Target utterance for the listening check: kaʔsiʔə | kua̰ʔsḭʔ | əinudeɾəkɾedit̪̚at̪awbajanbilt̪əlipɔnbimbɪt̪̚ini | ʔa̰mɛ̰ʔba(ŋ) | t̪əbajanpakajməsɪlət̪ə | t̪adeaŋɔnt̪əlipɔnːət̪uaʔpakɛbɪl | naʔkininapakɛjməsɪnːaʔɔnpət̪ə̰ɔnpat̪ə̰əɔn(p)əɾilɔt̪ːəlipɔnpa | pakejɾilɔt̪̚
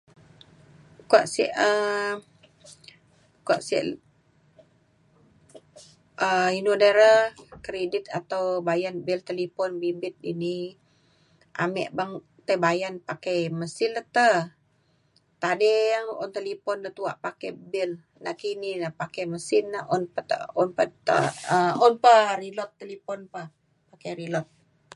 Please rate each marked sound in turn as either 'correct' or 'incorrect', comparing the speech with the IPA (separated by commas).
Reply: correct, correct